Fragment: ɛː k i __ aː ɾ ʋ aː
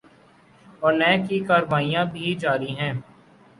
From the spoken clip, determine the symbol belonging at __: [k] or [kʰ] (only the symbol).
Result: k